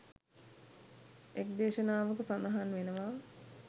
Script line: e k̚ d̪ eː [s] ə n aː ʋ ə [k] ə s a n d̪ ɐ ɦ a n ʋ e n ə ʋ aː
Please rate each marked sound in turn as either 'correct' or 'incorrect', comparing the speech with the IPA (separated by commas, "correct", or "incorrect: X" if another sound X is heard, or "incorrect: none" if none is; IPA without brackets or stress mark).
incorrect: ʃ, correct